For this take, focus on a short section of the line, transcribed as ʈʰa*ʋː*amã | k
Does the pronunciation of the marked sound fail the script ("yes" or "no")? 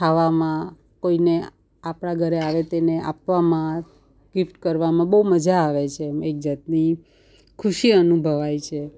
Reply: yes